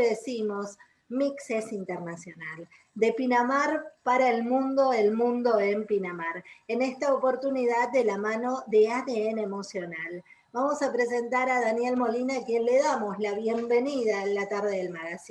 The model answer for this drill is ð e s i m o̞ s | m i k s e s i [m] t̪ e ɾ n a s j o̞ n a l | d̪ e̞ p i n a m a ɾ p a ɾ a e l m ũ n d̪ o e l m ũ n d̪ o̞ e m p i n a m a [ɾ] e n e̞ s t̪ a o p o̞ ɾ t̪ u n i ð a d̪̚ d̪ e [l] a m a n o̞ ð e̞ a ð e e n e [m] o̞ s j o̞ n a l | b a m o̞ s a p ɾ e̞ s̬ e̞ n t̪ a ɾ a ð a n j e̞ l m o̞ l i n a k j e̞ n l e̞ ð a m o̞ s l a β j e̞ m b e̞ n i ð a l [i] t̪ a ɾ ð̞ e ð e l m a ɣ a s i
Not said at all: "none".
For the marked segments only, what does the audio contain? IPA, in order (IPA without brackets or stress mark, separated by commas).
n, ɾ, l, m, a